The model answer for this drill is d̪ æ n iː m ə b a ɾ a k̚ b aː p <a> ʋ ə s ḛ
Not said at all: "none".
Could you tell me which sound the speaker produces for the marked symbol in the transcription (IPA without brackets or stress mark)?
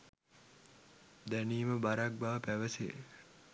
æ